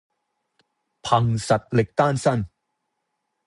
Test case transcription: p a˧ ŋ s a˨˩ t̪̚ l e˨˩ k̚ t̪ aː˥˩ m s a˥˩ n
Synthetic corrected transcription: pʰ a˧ ŋ s a˨˩ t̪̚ l e˨˩ k̚ t̪ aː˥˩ n s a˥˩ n